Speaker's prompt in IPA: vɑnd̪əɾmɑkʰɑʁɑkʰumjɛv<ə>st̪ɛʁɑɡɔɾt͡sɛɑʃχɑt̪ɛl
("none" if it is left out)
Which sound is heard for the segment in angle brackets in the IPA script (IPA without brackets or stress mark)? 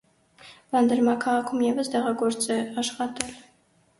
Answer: ə